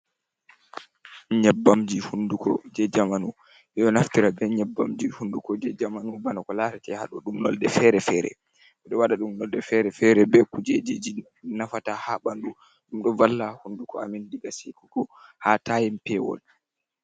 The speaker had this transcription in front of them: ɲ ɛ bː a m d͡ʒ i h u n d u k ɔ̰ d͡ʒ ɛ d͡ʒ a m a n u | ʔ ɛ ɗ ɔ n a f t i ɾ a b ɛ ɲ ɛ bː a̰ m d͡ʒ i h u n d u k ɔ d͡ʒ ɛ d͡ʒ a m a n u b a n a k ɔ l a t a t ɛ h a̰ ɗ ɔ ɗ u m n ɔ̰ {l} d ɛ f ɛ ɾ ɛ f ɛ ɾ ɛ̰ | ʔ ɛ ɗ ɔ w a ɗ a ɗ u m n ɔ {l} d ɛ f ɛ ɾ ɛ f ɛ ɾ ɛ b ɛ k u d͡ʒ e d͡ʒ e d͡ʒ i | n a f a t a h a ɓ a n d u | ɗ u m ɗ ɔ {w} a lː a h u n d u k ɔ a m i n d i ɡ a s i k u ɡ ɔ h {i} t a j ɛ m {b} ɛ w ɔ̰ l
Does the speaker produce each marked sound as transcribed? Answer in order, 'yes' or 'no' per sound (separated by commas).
yes, yes, no, no, no